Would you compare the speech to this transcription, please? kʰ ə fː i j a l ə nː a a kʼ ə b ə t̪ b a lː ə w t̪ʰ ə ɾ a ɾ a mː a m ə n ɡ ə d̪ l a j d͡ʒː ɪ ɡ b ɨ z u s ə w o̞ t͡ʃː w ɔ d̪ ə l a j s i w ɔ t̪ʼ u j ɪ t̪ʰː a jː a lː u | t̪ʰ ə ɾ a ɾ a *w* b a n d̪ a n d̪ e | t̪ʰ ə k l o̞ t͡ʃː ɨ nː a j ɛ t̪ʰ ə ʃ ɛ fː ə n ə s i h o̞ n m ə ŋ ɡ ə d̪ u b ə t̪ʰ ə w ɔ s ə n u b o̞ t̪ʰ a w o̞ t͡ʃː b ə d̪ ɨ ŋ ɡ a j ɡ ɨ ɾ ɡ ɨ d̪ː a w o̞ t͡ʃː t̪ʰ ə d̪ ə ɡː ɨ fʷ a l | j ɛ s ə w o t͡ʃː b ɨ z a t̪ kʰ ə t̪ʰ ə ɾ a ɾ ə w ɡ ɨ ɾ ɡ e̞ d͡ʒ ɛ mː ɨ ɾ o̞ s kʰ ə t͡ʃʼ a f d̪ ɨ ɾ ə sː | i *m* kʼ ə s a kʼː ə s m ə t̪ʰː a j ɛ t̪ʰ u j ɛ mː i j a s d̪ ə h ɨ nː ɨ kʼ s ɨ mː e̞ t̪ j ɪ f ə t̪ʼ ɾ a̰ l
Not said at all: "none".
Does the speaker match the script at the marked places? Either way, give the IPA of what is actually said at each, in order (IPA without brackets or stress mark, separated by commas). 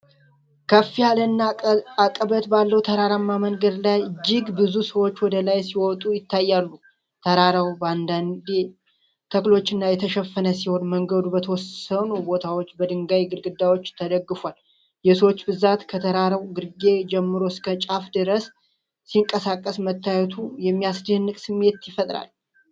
w, ŋ